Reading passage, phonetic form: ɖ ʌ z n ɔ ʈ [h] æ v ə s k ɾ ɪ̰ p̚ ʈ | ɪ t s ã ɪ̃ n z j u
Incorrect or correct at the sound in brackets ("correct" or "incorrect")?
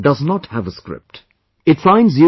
correct